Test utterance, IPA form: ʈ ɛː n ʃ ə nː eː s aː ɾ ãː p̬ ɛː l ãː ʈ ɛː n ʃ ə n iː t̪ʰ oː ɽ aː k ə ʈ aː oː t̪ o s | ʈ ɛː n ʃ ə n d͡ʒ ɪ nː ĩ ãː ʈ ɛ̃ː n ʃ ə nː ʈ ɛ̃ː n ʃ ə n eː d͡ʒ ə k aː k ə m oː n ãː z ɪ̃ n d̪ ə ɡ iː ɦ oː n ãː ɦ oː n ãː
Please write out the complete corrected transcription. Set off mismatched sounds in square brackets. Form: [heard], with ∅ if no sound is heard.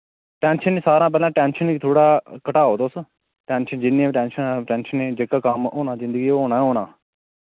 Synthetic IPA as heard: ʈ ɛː n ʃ ə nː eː s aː ɾ ãː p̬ ɛː l ãː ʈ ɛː n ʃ ə n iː t̪ʰ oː ɽ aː k ə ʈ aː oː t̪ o s | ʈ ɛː n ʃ ə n d͡ʒ ɪ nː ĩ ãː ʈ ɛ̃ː n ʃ ə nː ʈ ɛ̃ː n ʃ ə n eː d͡ʒ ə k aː k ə m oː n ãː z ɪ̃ n d̪ ə ɡ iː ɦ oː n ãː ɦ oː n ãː